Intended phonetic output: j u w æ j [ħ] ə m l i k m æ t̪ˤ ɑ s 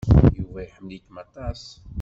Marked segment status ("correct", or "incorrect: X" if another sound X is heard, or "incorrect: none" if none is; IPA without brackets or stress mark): correct